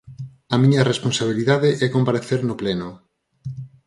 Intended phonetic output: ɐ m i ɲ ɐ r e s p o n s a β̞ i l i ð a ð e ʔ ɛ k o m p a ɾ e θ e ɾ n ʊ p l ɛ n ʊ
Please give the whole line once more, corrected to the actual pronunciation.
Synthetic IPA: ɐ m i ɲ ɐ r e s p o n s a β̞ i l i ð a ð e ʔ ɛ k o m p a ɾ e θ e ɾ n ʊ p l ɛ n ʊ